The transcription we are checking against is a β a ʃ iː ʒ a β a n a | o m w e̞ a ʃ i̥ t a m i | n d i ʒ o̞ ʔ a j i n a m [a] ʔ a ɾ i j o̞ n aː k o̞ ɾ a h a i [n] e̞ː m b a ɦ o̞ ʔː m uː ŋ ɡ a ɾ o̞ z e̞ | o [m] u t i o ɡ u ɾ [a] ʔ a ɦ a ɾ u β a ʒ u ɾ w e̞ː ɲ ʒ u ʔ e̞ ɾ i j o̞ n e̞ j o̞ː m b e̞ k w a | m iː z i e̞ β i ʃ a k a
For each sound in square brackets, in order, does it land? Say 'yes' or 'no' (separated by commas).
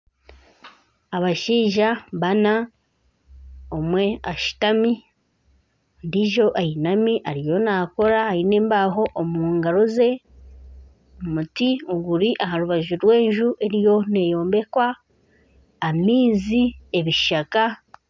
no, yes, yes, no